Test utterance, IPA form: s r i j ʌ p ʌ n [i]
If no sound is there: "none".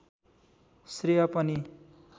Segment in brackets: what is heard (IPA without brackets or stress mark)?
i